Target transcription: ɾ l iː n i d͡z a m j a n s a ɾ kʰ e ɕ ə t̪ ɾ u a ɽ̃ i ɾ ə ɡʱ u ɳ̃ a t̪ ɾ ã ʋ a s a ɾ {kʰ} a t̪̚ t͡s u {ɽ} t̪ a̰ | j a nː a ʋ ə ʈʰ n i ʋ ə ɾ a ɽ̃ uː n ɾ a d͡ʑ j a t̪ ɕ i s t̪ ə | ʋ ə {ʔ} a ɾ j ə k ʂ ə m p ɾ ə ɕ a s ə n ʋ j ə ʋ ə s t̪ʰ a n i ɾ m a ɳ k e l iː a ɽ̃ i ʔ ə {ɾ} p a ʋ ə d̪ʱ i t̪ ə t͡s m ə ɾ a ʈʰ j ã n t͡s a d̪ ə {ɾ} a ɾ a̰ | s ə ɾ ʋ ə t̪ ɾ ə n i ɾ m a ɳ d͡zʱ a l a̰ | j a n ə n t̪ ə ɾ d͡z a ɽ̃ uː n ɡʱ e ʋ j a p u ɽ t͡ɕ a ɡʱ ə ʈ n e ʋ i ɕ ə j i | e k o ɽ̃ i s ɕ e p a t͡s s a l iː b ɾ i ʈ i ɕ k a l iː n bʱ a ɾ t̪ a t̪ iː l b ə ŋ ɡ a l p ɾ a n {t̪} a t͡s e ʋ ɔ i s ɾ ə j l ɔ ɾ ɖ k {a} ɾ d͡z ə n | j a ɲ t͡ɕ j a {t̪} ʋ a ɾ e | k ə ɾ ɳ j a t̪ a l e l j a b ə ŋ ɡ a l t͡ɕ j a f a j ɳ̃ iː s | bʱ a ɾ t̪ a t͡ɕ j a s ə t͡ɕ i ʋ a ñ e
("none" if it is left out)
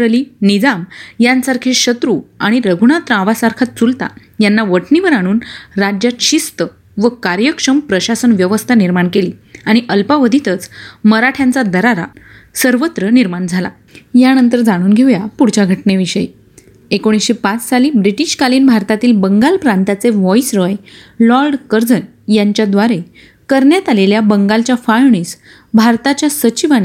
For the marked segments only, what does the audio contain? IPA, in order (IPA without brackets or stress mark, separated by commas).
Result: kʰ, l, k, l, ɾ, t̪, ə, d̪